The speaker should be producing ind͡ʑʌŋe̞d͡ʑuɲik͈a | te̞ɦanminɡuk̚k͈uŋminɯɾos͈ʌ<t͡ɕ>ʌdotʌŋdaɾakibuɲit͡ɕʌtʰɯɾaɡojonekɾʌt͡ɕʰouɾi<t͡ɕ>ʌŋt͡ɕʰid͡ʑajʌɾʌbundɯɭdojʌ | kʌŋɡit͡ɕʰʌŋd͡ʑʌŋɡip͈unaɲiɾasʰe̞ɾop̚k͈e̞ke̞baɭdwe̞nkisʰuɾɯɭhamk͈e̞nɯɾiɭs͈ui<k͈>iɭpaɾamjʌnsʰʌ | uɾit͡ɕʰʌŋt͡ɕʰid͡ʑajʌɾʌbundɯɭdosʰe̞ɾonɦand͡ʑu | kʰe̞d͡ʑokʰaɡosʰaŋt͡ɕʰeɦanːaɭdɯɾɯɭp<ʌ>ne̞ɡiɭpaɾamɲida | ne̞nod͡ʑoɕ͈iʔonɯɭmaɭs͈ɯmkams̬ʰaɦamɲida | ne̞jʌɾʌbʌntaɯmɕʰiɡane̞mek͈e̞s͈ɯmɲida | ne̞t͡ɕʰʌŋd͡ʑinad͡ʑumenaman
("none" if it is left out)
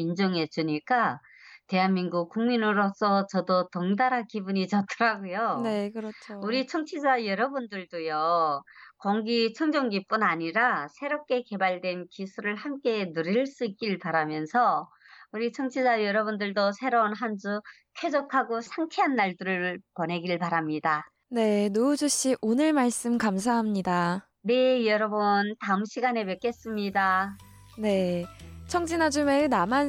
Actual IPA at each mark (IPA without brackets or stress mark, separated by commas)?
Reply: t͡ɕ, t͡ɕʰ, k͈, ʌ